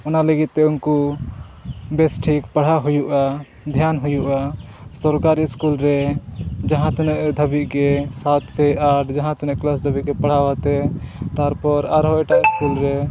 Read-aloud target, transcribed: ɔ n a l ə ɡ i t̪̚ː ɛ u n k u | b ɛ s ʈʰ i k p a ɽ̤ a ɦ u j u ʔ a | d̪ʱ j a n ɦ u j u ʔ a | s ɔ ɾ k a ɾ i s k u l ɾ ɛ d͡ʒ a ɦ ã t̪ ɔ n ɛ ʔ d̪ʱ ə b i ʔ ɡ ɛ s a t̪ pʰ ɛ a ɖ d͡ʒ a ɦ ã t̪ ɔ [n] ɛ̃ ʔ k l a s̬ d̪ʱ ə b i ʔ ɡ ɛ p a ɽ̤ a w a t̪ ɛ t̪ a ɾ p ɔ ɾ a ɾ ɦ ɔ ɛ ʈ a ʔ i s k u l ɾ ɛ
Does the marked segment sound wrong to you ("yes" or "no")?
no